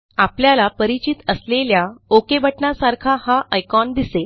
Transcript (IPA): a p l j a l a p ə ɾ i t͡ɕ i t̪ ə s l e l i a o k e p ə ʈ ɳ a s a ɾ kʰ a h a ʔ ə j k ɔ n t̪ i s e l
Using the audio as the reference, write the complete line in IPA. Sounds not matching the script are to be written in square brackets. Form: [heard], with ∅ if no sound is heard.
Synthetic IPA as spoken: a p l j a l a p ə ɾ i t͡ɕ i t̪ ə s l e l [j] a o k e [b] ə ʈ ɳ a s a ɾ kʰ a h a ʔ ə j k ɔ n [d̪] i s e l